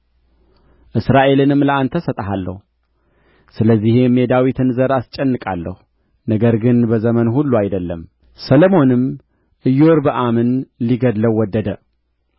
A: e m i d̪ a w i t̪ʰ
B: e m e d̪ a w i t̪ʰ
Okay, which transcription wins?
B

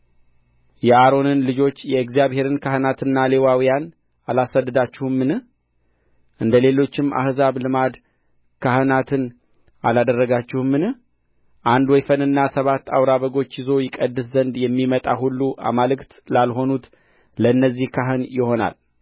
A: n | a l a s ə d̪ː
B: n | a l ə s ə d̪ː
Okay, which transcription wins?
A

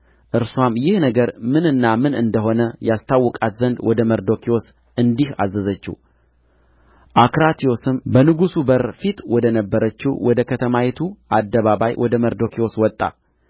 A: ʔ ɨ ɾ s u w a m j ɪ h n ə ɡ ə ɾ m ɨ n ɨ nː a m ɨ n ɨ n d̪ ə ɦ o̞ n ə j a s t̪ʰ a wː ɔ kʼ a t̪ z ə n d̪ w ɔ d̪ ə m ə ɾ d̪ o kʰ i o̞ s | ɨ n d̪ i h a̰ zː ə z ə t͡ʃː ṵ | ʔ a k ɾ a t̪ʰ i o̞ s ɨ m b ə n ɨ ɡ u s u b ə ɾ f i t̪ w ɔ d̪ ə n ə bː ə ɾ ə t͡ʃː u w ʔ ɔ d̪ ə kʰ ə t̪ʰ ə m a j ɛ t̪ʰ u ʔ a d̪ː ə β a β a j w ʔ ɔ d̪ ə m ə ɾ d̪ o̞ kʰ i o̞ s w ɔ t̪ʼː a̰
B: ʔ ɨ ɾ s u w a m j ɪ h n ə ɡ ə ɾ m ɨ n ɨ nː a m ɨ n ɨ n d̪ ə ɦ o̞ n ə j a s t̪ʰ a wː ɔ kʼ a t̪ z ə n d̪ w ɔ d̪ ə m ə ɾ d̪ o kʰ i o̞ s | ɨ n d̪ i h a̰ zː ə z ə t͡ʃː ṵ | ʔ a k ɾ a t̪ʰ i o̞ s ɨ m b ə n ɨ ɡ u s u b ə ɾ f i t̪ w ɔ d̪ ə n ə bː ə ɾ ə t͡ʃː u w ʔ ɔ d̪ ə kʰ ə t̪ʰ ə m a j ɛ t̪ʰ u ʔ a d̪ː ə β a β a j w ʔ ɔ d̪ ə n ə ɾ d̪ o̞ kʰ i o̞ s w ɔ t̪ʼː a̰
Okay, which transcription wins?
A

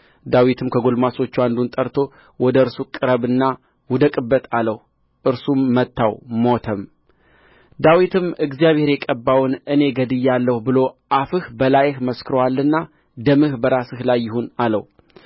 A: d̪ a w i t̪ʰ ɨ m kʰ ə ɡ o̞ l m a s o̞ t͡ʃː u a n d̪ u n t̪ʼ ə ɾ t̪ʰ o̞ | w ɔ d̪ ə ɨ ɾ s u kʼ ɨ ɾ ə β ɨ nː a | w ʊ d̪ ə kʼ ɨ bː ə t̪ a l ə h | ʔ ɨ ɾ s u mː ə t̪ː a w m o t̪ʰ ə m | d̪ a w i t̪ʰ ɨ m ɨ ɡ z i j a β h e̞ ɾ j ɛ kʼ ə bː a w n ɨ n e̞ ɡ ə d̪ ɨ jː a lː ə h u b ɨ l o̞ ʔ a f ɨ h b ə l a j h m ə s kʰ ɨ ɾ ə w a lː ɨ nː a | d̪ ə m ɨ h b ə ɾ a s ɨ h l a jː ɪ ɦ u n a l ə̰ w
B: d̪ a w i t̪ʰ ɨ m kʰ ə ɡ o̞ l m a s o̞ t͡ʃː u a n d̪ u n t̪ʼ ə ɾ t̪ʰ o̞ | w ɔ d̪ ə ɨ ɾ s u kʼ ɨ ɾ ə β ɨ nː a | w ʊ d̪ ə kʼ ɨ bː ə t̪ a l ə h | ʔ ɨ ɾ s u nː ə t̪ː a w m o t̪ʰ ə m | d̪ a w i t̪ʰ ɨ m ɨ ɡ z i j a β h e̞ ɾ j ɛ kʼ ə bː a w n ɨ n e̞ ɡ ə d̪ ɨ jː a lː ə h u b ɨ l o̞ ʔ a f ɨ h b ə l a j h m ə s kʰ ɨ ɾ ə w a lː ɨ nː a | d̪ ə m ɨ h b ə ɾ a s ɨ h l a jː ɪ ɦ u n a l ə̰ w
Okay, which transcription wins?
A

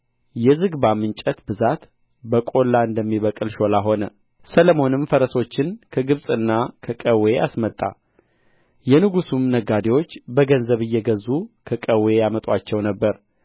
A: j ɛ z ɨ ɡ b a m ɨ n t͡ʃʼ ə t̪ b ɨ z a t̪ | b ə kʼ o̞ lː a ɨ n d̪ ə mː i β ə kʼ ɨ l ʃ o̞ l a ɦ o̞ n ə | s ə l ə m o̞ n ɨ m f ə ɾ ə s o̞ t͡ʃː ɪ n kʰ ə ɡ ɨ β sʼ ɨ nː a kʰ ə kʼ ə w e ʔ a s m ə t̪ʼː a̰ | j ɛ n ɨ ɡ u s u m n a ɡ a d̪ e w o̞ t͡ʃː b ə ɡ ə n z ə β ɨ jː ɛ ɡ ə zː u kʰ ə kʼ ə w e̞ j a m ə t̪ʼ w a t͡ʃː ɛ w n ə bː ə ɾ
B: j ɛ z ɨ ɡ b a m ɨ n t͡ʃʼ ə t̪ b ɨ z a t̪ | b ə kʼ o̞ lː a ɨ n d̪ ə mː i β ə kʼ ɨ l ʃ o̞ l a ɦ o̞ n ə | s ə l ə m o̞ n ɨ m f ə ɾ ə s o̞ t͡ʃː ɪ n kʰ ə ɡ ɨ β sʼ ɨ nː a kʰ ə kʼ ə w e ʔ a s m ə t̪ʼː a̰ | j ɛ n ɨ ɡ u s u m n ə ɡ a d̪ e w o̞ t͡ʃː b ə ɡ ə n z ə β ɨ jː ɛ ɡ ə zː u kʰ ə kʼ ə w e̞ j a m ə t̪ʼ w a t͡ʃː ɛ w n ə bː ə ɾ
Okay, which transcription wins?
B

